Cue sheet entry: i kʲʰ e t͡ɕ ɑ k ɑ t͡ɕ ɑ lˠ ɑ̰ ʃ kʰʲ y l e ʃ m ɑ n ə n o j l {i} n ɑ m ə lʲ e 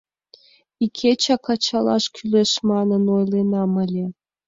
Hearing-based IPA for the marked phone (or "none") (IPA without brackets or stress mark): e